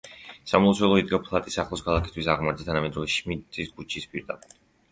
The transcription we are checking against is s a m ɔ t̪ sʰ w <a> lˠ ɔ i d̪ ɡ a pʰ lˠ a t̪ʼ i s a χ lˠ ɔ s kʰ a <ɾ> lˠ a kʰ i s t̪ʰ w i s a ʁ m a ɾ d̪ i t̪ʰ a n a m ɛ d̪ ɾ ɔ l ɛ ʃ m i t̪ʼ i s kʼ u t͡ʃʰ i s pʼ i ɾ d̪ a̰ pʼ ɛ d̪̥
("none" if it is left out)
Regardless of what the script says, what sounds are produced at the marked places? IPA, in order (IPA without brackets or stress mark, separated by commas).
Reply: ɛ, none